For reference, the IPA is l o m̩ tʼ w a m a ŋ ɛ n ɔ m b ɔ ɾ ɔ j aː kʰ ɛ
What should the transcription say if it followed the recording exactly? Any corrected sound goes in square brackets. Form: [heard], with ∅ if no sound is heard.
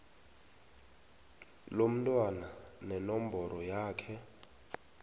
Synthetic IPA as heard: l o m̩ tʼ w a [n] a [n] ɛ n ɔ m b ɔ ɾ ɔ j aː kʰ ɛ